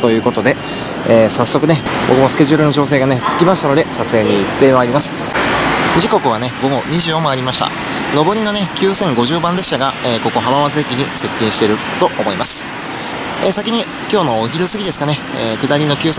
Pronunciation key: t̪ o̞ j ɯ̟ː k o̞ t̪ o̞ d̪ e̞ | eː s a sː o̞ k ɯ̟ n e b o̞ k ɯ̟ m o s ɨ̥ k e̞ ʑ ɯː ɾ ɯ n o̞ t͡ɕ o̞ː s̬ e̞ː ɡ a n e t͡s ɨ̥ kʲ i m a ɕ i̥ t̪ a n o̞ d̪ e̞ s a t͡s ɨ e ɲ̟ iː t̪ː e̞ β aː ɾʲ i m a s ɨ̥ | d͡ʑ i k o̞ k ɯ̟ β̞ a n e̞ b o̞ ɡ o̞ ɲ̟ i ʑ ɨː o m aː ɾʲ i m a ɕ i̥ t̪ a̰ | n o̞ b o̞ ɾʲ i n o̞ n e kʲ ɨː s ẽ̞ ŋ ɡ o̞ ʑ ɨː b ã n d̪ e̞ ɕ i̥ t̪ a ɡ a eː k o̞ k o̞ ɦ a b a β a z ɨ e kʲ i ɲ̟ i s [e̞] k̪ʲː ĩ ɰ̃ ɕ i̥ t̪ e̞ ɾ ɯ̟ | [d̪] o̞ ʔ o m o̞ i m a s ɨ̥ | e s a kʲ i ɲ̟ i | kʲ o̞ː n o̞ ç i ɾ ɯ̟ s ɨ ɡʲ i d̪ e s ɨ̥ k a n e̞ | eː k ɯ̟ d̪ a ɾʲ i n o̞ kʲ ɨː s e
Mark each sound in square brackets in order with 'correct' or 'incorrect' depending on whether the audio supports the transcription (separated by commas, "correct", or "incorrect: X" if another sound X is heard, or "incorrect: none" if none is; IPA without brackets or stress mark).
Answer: correct, incorrect: t̪